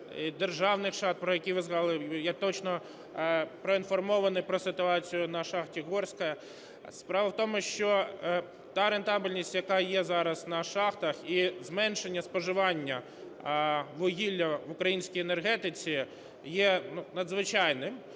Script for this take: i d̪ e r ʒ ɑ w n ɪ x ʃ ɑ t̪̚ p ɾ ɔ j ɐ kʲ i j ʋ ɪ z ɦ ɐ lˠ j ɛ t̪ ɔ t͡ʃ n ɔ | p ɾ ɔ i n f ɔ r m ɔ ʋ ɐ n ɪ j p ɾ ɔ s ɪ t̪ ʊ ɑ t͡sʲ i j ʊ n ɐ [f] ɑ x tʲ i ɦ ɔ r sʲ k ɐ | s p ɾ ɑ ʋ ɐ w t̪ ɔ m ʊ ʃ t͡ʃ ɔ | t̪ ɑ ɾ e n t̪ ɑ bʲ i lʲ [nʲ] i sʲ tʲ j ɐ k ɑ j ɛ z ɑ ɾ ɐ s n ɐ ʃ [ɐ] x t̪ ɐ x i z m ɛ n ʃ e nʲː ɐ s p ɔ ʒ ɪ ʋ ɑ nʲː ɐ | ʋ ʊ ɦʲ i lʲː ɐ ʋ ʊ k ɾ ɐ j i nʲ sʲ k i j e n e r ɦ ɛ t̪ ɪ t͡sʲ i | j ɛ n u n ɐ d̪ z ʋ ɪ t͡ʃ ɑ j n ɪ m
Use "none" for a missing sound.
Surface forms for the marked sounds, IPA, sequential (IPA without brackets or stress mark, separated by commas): ʃ, nʲ, ɑ